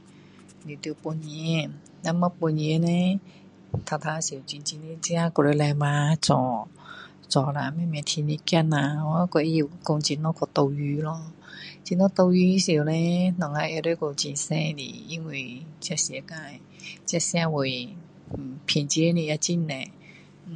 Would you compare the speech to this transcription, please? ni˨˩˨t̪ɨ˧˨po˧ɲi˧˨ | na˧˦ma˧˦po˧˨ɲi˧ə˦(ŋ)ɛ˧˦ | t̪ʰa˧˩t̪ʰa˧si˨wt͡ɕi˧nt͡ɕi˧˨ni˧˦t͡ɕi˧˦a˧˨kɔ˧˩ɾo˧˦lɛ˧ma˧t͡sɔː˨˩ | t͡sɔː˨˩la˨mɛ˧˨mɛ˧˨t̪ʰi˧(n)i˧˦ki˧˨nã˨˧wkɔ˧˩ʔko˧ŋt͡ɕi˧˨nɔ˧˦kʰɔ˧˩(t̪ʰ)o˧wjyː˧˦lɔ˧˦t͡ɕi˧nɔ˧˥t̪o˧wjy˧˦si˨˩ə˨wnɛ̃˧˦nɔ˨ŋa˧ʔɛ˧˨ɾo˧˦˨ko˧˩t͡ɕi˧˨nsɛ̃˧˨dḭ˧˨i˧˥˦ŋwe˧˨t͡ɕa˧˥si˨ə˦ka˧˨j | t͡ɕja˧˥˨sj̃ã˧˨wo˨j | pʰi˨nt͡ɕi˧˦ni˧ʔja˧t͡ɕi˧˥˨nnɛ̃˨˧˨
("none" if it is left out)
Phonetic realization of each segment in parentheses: n, n, t̪

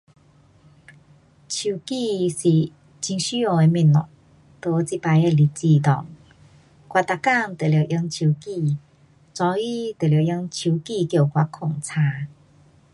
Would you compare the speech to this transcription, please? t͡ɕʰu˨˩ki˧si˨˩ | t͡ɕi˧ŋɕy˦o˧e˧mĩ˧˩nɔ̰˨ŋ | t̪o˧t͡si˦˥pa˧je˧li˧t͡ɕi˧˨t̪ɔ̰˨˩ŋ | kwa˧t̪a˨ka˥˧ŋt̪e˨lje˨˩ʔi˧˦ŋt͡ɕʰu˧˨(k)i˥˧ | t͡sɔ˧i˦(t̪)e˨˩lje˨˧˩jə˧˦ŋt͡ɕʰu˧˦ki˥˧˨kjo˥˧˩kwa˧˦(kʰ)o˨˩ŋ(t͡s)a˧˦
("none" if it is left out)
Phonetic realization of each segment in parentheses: k, t̪, kʰ, t͡sʰ

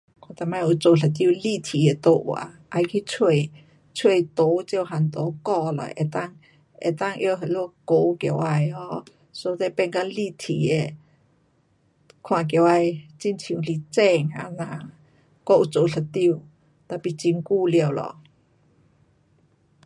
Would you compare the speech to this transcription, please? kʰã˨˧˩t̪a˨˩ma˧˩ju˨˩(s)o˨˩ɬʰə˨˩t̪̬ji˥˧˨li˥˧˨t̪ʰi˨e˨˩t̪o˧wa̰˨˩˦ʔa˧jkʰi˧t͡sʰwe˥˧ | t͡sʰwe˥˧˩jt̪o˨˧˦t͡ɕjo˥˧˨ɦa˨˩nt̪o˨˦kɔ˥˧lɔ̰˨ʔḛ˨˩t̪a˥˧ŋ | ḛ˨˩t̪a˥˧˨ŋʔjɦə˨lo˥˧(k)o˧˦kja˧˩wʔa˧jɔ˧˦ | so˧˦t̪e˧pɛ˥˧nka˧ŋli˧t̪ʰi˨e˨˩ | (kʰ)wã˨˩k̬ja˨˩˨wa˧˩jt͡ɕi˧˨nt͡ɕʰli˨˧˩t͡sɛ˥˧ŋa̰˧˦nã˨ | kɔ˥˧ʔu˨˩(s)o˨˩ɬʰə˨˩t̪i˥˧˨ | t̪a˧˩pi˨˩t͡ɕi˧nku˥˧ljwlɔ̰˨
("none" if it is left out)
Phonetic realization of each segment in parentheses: t͡s, k, kʰ, t͡s

